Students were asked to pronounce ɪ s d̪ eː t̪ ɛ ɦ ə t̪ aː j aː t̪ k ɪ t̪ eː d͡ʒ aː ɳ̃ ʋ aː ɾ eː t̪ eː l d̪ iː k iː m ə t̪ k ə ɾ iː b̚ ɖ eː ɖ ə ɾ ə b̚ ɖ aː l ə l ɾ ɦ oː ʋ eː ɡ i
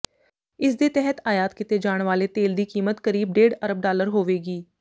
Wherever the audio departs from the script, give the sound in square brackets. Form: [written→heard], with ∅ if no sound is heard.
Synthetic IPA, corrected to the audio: ɪ s d̪ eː t̪ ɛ ɦ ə t̪ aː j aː t̪ k ɪ t̪ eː d͡ʒ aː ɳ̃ ʋ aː [ɾ→l] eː t̪ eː l d̪ iː k iː m ə t̪ k ə ɾ iː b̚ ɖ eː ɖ ə ɾ ə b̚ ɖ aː l ə [l→∅] ɾ ɦ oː ʋ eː ɡ [i→iː]